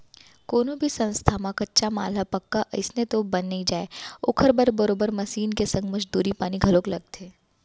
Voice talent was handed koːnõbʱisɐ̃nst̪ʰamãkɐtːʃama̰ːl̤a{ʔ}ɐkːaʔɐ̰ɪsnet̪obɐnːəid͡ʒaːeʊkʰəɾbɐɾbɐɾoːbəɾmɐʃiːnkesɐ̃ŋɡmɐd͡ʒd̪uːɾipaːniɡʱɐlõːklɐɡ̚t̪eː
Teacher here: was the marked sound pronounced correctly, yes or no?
no